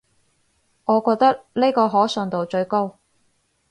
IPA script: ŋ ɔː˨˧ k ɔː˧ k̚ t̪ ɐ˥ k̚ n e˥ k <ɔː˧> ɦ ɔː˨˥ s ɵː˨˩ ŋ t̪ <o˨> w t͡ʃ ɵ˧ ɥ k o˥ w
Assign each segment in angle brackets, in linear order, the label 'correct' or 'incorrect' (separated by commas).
correct, correct